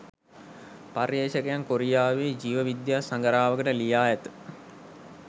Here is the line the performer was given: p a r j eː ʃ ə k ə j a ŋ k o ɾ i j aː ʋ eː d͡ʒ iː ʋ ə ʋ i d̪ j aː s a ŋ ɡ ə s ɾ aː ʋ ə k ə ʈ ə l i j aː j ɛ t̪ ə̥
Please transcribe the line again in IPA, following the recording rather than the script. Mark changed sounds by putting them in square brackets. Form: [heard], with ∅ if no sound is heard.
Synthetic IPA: p a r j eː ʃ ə k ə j a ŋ k o ɾ i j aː ʋ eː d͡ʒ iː ʋ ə ʋ i d̪ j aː s a ŋ ɡ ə [∅] ɾ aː ʋ ə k ə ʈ ə l i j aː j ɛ t̪ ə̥